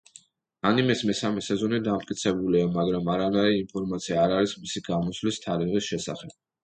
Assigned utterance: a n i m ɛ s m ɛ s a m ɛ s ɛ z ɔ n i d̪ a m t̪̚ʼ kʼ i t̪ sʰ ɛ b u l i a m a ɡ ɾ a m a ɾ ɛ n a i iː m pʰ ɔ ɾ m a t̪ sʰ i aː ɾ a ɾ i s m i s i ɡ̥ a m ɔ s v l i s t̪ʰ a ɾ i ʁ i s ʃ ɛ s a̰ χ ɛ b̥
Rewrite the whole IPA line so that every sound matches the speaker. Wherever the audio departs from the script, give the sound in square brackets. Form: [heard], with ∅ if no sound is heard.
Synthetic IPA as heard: a n i m ɛ s m ɛ s a m ɛ s ɛ z ɔ n i d̪ a m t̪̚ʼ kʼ i t̪ sʰ ɛ b u l i a m a ɡ ɾ a m a ɾ [a] n a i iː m pʰ ɔ ɾ m a t̪ sʰ i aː ɾ a ɾ i s m i s i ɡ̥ a m ɔ s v l i s t̪ʰ a ɾ i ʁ i s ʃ ɛ s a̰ χ ɛ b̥

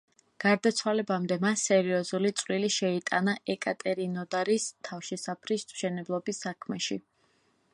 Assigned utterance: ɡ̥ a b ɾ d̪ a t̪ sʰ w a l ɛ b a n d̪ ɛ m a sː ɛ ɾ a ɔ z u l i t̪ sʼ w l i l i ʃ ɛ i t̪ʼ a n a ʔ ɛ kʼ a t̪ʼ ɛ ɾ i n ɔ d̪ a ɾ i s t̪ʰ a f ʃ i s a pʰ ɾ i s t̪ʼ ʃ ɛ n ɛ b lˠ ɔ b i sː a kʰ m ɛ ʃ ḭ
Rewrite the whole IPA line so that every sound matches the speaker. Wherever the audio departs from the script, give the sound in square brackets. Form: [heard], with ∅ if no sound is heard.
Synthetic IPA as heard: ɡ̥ a [∅] ɾ d̪ a t̪ sʰ w a l ɛ b a [m] d̪ ɛ m a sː ɛ ɾ [i] ɔ z u l i t̪ sʼ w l i l i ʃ ɛ i t̪ʼ a n a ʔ ɛ kʼ a t̪ʼ ɛ ɾ i n ɔ d̪ a ɾ i s t̪ʰ a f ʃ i s a pʰ ɾ i s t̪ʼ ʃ ɛ n ɛ b lˠ ɔ b i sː a kʰ m ɛ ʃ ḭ

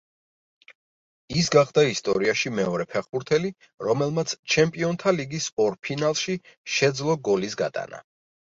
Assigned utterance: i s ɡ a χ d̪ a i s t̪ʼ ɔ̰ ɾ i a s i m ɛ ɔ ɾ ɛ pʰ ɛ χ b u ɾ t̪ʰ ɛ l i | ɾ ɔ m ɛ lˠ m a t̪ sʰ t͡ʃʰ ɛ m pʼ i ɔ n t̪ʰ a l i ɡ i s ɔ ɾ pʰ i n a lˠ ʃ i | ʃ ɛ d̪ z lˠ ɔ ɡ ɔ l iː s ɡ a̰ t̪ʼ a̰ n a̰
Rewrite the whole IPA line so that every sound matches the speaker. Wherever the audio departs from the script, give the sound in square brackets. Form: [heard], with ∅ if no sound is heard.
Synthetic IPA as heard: i s ɡ a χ d̪ a i s t̪ʼ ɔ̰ ɾ i a [ʃ] i m ɛ ɔ ɾ ɛ pʰ ɛ χ b u ɾ t̪ʰ ɛ l i | ɾ ɔ m ɛ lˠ m a t̪ sʰ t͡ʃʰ ɛ m pʼ i ɔ n t̪ʰ a l i ɡ i s ɔ ɾ pʰ i n a lˠ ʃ i | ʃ ɛ d̪ z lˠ ɔ ɡ ɔ l [i] s ɡ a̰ t̪ʼ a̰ n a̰

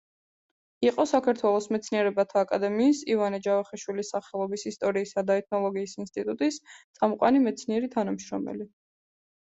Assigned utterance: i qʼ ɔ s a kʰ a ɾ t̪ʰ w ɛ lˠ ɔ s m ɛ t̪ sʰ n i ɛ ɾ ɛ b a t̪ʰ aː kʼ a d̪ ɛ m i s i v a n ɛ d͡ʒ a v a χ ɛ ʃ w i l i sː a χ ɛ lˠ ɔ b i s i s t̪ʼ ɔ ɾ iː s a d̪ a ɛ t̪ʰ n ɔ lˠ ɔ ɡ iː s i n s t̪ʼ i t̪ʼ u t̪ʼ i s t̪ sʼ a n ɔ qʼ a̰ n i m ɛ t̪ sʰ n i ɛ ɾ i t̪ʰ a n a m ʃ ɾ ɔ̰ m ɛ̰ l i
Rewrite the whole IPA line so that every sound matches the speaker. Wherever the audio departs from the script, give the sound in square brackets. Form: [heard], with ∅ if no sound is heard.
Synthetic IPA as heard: i qʼ ɔ s a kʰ a ɾ t̪ʰ w ɛ lˠ ɔ s m ɛ t̪ sʰ n i ɛ ɾ ɛ b a t̪ʰ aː kʼ a d̪ ɛ m [iː] s i v a n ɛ d͡ʒ a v a χ ɛ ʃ w i l i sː a χ ɛ lˠ ɔ b i s i s t̪ʼ ɔ ɾ iː s a d̪ a ɛ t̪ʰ n ɔ lˠ ɔ ɡ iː s i n s t̪ʼ i t̪ʼ u t̪ʼ i s t̪ sʼ a [m] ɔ qʼ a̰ n i m ɛ t̪ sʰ n i ɛ ɾ i t̪ʰ a n a m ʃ ɾ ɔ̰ m ɛ̰ l i

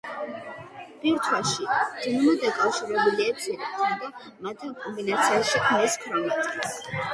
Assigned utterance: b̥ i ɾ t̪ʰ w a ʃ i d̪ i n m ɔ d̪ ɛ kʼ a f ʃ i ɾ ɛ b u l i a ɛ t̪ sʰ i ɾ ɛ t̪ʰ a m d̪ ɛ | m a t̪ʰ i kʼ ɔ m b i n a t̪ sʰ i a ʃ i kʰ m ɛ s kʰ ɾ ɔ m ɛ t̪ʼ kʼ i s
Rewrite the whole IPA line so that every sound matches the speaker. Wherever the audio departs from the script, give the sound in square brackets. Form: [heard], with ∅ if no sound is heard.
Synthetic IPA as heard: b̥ i ɾ t̪ʰ w a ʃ i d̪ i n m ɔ d̪ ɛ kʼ a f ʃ i ɾ ɛ b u l i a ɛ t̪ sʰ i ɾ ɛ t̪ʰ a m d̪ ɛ | m a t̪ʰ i kʼ ɔ m b i n a t̪ sʰ i a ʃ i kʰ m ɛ s kʰ ɾ ɔ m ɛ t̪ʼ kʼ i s

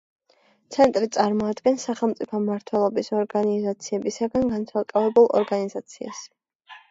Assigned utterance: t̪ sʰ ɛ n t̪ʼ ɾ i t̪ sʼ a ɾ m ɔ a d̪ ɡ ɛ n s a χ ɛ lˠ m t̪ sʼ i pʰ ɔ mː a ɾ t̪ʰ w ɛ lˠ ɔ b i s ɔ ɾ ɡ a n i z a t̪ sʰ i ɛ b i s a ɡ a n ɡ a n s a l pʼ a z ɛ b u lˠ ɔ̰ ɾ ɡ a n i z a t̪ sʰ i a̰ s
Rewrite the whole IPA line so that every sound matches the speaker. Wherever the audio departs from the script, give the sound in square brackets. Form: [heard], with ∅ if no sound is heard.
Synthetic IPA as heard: t̪ sʰ ɛ n t̪ʼ ɾ i t̪ sʼ a ɾ m ɔ a d̪ ɡ ɛ n s a χ ɛ lˠ m t̪ sʼ i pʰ ɔ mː a ɾ t̪ʰ w ɛ lˠ ɔ b i s ɔ ɾ ɡ a n i z a t̪ sʰ i ɛ b i s a ɡ a n ɡ a n s a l [kʼ] a [v] ɛ b u lˠ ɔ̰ ɾ ɡ a n i z a t̪ sʰ i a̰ s

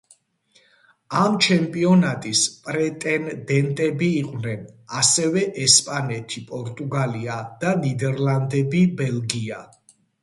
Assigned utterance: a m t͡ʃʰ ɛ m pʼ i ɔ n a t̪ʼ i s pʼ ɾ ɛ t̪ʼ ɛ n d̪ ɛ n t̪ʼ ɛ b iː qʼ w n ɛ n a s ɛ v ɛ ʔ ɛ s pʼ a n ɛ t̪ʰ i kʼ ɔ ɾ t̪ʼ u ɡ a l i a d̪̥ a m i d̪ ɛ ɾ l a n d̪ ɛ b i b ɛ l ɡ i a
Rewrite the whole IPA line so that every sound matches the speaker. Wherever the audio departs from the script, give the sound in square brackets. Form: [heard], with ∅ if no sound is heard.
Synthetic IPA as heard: a m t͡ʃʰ ɛ m pʼ i ɔ n a t̪ʼ i s pʼ ɾ ɛ t̪ʼ ɛ n d̪ ɛ n t̪ʼ ɛ b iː qʼ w n ɛ n a s ɛ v ɛ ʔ ɛ s pʼ a n ɛ t̪ʰ i [pʼ] ɔ ɾ t̪ʼ u ɡ a l i a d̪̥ a [n] i d̪ ɛ ɾ l a n d̪ ɛ b i b ɛ l ɡ i a

